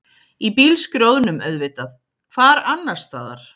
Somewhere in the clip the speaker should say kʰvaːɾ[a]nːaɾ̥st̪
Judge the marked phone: correct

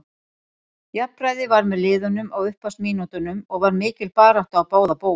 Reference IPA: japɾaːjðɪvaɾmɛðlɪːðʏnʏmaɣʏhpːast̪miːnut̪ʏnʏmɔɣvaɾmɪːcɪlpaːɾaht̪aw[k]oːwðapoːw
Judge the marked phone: incorrect: p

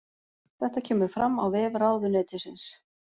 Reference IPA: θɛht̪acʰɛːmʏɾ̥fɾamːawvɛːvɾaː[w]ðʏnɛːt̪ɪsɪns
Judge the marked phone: correct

